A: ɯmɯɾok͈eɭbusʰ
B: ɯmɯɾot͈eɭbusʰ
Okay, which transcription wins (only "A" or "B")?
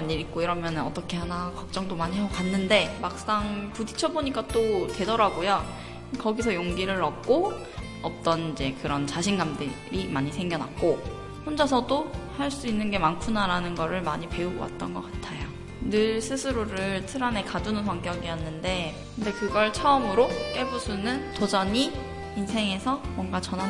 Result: A